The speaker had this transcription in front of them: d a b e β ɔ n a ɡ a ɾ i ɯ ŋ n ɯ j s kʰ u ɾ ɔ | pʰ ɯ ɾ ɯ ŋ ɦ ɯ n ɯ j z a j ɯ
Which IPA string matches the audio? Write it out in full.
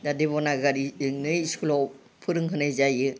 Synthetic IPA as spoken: d a d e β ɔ n a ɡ a ɾ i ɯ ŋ n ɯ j s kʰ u l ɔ | pʰ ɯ ɾ ɯ ŋ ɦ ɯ n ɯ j z a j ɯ